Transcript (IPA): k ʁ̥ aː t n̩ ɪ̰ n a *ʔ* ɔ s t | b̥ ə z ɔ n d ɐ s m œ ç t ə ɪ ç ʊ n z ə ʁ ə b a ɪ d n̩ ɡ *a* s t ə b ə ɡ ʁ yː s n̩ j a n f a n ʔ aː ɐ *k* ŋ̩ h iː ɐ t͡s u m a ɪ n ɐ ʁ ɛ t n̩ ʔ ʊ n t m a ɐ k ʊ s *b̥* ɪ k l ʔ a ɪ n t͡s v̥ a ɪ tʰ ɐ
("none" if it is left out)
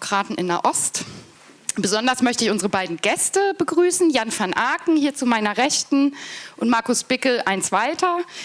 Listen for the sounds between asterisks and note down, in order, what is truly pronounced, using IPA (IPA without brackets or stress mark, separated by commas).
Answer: ʔ, ɛ, k, b̥